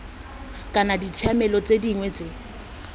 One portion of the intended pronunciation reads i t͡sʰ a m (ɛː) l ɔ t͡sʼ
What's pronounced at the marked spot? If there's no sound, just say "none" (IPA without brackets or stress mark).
ɛ